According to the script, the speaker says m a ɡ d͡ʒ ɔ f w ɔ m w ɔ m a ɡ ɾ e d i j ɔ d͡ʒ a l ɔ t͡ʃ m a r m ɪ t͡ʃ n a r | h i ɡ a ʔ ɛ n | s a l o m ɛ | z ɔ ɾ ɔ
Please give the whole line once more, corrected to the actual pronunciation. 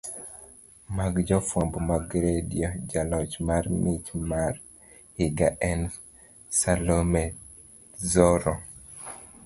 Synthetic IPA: m a ɡ d͡ʒ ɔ f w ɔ m b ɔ m a ɡ ɾ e d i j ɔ d͡ʒ a l ɔ t͡ʃ m a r m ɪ t͡ʃ m a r | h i ɡ a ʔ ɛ n | s a l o m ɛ | z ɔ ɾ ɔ